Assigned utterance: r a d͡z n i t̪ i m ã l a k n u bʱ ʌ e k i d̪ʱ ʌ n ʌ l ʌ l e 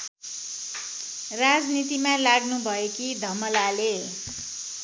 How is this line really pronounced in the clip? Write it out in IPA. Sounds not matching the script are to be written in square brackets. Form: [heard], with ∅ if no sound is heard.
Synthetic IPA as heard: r a d͡z n i t̪ i m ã l a [ɡ] n u bʱ ʌ e k i d̪ʱ ʌ [m] ʌ l [a] l e